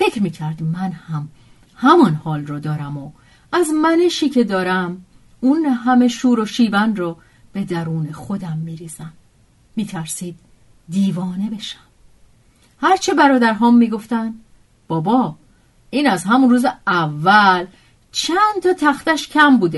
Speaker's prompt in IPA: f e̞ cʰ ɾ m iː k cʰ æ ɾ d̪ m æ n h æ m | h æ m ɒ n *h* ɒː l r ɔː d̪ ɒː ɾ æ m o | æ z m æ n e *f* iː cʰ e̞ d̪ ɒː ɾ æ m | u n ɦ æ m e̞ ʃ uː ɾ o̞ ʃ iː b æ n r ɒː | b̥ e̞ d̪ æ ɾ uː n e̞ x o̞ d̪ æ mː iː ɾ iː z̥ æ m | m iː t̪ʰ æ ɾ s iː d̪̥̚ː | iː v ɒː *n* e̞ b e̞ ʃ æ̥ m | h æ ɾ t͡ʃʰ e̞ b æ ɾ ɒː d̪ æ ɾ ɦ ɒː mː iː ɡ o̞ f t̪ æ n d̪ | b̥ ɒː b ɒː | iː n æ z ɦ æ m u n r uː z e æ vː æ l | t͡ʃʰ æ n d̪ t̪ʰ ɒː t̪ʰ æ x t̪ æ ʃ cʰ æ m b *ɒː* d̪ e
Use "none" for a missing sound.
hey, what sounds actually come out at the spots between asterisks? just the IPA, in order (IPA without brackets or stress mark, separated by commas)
h, ʃ, n, uː